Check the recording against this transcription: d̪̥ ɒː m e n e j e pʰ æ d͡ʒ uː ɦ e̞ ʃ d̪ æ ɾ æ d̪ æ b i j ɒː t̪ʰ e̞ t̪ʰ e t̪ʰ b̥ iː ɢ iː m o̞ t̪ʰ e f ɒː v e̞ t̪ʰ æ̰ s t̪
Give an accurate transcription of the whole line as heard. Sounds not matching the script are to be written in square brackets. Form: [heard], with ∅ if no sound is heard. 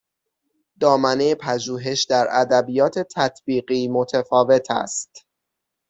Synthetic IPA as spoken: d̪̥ ɒː m [æ] n e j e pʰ æ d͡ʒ uː ɦ e̞ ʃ d̪ æ ɾ æ d̪ æ b i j ɒː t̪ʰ e̞ t̪ʰ [æ] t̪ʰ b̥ iː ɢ iː m o̞ t̪ʰ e f ɒː v e̞ t̪ʰ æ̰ s t̪